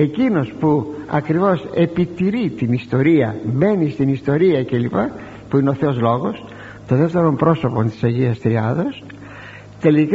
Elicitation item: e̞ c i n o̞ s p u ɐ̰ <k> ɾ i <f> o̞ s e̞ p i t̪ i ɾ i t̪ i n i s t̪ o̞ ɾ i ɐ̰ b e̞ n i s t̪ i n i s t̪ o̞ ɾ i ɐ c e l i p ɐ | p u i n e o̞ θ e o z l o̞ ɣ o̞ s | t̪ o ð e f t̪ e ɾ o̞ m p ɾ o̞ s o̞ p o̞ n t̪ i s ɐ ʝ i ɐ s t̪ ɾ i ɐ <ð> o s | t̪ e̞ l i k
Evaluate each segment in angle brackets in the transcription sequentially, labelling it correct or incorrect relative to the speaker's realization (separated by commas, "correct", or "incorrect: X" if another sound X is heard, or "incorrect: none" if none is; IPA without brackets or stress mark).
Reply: correct, incorrect: v, correct